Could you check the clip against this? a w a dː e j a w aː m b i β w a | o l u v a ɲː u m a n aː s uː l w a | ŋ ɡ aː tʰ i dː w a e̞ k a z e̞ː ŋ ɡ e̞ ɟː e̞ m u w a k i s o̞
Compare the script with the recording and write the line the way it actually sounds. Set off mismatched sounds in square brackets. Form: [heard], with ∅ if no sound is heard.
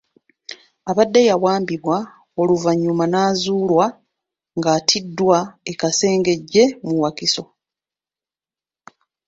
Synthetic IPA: a [β] a dː e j a w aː m b i β w a | o l u v a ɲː u m a n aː [z] uː l w a | ŋ ɡ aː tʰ i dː w a e̞ k a [s] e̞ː ŋ ɡ e̞ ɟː e̞ m u w a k i s o̞